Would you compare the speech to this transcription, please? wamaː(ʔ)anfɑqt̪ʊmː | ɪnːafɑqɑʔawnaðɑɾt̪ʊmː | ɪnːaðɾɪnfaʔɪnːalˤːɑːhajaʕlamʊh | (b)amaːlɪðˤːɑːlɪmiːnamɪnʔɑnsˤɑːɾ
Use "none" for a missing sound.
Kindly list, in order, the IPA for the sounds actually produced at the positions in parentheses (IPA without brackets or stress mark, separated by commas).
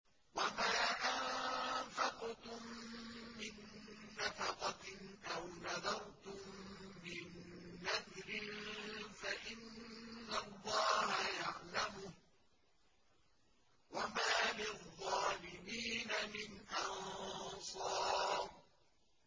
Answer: ʔ, w